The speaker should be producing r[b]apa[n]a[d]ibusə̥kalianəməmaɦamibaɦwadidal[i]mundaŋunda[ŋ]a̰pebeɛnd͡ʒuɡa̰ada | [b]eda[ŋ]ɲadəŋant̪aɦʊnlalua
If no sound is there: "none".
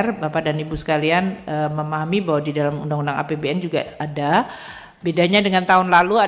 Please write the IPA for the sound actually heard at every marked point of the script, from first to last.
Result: b, d, n, a, ŋ, b, none

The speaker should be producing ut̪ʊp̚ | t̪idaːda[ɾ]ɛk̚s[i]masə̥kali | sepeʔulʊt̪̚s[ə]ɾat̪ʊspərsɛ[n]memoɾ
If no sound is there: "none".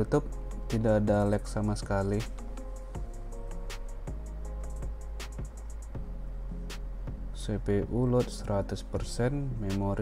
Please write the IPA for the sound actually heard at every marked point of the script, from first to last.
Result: l, a, ə, n

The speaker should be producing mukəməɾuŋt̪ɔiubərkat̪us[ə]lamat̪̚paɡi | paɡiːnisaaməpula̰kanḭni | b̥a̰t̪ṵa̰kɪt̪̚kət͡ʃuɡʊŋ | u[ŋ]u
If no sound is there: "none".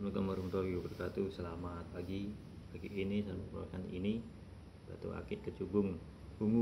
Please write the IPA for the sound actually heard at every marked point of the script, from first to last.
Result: ə, ŋ

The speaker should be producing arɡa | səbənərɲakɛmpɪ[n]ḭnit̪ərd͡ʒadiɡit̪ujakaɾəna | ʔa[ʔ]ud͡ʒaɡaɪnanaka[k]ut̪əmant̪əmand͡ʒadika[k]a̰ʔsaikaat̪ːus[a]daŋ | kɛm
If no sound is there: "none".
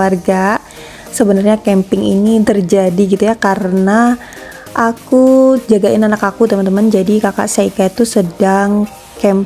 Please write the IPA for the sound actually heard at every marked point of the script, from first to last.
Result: ŋ, k, k, k, ə

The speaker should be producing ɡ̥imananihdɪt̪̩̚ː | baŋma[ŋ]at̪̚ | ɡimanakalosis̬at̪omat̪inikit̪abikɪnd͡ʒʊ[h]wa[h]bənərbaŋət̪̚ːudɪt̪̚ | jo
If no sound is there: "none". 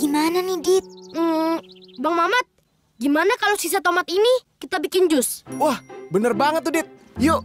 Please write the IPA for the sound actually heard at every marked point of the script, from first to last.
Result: m, s, h

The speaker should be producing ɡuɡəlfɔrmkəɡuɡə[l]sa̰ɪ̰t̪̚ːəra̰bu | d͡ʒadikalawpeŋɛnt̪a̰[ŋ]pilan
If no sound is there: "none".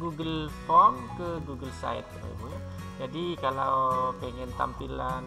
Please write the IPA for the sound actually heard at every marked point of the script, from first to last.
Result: l, m

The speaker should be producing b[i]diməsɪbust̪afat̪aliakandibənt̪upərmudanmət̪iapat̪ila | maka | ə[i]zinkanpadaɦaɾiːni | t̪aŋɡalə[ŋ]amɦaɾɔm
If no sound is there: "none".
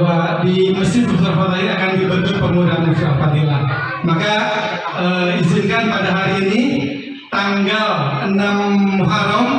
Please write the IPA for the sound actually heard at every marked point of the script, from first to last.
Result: a, i, n

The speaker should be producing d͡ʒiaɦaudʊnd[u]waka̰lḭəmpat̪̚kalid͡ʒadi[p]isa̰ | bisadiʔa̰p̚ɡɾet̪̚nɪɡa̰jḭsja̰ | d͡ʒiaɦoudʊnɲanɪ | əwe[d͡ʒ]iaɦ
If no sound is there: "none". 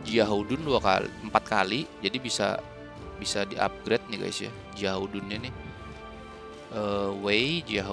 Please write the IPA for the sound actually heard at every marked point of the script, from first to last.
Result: u, b, d͡ʒ

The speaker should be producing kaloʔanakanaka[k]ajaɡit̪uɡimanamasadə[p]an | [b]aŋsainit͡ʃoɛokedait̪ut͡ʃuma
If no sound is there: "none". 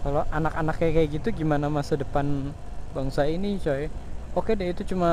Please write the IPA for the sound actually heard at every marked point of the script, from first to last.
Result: k, p, b

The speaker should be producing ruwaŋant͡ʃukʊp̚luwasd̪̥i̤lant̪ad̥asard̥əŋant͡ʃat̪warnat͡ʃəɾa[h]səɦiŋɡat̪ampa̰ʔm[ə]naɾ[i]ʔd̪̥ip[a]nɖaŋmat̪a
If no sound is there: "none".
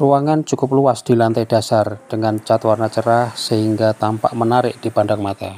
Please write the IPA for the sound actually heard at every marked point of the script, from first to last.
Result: h, ə, ɪ, a

